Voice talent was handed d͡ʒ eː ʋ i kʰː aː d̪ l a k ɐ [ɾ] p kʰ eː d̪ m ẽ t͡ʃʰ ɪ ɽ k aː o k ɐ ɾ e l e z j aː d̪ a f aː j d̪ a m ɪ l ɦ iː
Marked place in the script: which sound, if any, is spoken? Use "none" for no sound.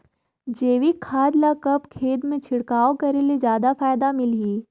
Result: none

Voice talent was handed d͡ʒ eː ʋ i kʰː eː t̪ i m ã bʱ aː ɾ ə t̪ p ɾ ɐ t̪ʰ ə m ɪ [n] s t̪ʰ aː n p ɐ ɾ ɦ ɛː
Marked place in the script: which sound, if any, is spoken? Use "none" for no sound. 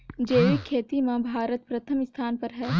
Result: none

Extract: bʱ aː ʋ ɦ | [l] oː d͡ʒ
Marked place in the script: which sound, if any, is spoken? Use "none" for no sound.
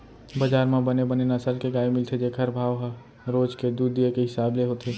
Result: ɾ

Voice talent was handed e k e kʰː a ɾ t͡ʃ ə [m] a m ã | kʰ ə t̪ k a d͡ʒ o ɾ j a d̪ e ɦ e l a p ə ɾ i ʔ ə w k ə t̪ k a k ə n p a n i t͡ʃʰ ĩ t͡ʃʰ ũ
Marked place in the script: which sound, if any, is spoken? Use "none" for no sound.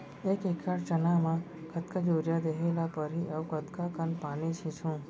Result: n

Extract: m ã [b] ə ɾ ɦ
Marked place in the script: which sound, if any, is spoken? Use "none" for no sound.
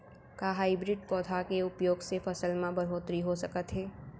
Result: b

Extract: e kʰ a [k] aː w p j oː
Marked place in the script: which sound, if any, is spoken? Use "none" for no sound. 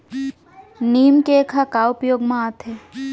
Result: k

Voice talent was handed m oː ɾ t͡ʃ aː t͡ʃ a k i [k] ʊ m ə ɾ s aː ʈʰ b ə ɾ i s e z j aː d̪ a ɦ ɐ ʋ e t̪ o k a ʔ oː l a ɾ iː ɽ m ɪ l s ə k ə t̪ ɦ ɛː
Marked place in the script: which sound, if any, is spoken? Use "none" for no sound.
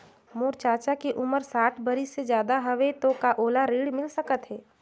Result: ʔ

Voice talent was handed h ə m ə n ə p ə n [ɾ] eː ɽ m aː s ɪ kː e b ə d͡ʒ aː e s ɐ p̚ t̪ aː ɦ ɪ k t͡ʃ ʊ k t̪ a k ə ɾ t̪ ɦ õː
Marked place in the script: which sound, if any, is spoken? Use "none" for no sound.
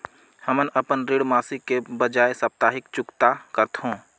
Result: ɾ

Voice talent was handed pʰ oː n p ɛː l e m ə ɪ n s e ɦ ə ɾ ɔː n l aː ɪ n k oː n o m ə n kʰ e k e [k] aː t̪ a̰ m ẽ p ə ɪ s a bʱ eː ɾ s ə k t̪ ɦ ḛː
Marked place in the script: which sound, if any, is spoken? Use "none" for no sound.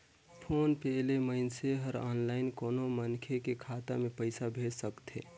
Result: kʰ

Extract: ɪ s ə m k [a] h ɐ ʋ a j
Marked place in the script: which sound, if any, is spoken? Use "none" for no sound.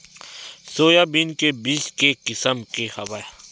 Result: e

